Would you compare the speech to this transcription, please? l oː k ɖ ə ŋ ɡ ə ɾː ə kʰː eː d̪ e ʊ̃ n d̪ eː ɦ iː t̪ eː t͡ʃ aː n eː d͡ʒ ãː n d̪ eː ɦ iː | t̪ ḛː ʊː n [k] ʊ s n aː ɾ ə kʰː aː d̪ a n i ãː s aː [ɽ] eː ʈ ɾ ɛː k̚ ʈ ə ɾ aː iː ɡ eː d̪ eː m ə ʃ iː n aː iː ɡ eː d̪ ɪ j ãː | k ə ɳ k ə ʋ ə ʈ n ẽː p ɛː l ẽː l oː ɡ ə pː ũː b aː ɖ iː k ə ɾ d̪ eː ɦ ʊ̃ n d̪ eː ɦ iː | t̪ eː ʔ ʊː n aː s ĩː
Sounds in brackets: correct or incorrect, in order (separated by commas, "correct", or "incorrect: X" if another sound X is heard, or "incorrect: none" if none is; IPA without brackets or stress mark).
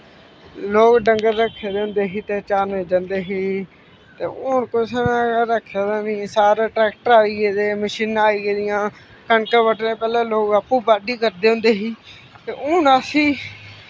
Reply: correct, incorrect: ɾ